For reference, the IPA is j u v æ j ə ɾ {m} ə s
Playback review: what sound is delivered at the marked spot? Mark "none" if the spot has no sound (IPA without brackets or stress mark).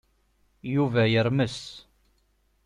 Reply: m